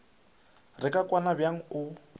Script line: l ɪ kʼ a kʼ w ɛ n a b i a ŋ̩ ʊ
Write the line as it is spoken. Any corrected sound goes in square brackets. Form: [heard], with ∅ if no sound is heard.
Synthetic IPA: [r] ɪ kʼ a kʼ w [a] n a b [j] a ŋ̩ ʊ